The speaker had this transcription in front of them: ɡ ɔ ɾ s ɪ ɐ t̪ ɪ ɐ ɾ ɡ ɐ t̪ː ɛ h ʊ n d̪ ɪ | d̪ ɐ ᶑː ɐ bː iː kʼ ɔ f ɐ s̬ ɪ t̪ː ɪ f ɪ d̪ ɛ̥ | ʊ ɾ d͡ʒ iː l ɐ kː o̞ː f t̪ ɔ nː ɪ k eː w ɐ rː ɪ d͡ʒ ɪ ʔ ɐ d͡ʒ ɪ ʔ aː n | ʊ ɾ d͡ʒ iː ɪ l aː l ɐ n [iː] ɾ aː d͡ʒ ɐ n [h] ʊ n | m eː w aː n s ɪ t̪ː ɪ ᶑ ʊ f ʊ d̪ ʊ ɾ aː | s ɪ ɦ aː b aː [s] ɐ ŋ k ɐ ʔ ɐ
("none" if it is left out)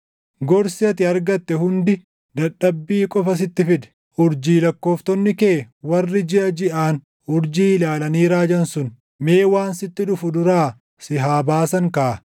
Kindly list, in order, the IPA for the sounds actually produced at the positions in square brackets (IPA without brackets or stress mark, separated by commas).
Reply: iː, s, s